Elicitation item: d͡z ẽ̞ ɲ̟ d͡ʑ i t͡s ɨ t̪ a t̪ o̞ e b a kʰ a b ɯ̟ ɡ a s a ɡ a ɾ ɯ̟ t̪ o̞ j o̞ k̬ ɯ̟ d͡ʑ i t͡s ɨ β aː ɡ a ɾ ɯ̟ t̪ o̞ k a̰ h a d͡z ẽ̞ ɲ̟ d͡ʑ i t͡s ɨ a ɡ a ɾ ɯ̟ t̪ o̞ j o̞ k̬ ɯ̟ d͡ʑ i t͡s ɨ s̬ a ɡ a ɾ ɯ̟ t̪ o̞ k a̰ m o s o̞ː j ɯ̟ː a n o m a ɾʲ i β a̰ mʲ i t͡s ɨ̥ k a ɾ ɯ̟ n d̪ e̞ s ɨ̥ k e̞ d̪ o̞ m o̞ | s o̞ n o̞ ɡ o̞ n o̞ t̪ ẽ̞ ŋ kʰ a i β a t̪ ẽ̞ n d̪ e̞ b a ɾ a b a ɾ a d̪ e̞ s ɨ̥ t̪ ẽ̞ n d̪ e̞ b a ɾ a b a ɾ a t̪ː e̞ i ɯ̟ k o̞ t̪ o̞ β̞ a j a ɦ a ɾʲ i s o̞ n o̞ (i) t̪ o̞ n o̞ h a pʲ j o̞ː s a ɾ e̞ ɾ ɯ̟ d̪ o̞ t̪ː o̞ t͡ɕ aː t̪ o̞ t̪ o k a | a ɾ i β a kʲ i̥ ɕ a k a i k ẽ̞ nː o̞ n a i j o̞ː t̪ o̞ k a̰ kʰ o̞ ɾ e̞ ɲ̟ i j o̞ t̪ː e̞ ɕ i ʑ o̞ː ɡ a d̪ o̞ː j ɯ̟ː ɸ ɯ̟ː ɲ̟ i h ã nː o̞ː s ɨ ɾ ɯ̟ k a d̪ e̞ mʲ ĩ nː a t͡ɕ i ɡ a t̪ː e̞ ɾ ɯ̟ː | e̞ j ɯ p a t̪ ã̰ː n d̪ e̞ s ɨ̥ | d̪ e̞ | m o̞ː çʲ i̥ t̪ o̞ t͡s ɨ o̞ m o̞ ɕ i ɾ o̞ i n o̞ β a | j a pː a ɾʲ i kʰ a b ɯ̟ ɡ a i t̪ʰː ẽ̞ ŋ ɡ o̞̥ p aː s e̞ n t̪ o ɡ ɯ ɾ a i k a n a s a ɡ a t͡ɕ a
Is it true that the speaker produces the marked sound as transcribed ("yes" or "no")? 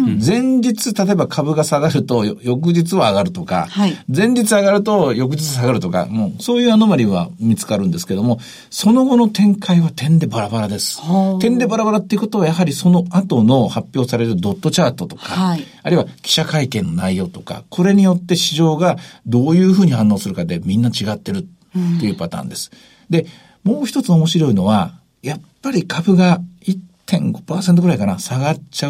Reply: no